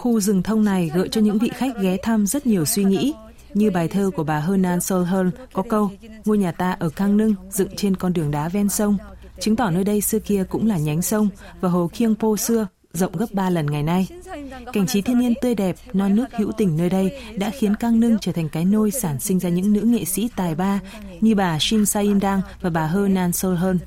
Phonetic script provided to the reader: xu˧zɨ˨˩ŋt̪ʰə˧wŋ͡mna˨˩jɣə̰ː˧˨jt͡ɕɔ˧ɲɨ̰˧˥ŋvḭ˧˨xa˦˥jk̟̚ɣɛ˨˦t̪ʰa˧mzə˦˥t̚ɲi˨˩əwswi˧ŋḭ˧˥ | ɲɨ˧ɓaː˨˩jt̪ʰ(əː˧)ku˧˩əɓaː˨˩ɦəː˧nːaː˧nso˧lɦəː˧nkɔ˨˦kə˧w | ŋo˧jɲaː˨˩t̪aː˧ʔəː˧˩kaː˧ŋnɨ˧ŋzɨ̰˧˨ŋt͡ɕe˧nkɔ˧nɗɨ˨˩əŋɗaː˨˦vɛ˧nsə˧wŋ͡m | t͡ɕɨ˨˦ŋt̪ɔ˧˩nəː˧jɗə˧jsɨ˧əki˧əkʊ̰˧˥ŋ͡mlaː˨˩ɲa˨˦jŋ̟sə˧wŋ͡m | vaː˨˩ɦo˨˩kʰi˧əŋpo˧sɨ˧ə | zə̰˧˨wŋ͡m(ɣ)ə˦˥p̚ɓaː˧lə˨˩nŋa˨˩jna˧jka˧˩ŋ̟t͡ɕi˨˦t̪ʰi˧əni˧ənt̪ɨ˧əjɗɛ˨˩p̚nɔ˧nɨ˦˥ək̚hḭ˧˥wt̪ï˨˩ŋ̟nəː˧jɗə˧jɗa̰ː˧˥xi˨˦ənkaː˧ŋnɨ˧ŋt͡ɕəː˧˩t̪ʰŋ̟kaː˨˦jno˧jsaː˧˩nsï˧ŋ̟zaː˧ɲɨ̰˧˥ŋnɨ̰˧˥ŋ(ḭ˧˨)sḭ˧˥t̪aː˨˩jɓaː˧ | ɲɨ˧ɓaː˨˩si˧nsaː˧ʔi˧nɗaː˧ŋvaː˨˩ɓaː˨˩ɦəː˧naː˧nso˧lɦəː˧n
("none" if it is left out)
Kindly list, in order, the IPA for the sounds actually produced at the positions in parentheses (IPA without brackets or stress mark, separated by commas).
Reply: əː˧, ɣ, ḛ˧˨